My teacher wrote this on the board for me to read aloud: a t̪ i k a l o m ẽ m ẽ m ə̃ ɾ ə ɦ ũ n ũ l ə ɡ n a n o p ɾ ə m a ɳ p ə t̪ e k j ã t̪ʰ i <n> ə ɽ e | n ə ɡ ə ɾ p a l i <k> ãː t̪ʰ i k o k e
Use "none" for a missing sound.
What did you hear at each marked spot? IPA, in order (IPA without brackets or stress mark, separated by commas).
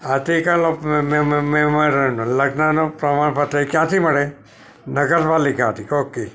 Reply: m, k